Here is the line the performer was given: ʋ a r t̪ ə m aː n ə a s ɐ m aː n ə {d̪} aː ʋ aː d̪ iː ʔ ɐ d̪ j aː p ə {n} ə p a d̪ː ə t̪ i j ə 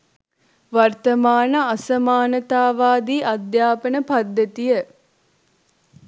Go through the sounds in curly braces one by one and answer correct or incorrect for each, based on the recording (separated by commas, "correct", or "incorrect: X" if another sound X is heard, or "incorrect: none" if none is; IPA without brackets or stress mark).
incorrect: t̪, correct